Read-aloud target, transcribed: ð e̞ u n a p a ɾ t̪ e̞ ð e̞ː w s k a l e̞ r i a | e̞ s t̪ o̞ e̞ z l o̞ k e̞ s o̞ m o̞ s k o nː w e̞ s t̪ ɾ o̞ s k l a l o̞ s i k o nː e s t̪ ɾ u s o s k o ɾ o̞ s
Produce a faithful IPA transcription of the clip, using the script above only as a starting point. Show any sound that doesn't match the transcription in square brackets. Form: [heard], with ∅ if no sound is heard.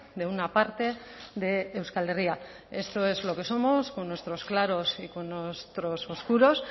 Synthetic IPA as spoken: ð e̞ u n a p a ɾ t̪ e̞ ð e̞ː w s k a l e̞ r i a | e̞ s t̪ o̞ e̞ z l o̞ k e̞ s o̞ m o̞ s k o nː w e̞ s t̪ ɾ o̞ s k l a [ɾ] o̞ s i k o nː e s t̪ ɾ [o] s o s k [u] ɾ o̞ s